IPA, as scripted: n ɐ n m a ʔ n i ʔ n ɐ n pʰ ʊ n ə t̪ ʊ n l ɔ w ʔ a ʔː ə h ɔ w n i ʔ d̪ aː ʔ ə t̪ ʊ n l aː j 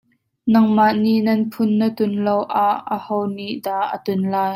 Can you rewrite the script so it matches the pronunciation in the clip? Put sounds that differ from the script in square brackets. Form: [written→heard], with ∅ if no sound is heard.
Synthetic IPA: n ɐ [n→ŋ] m a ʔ n i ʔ n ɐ n pʰ ʊ [n→nː] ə t̪ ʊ n l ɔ w ʔ a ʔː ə h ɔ w n i ʔ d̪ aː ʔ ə t̪ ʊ n l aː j